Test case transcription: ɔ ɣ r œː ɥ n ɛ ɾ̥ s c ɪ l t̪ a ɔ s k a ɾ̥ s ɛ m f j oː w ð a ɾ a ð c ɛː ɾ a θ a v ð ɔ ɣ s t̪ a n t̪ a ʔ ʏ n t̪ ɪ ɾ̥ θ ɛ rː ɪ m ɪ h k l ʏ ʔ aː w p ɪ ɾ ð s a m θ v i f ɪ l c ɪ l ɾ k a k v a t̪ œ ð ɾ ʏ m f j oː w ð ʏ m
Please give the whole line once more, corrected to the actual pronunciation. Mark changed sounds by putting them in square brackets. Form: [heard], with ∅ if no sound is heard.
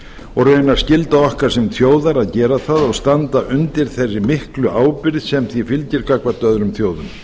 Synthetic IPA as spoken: ɔ ɣ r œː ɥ n [a] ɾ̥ s c ɪ l t̪ a ɔ [h] k a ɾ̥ s ɛ m [θ] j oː w ð a ɾ a ð c ɛː ɾ a θ a [∅] ð ɔ ɣ s t̪ a n t̪ a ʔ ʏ n t̪ ɪ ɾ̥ θ ɛ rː ɪ m ɪ h k l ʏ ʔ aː w p ɪ ɾ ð s [ɛ] m θ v i f ɪ l c ɪ [∅] ɾ k a k v a t̪ œ ð ɾ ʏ m [θ] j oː w ð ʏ m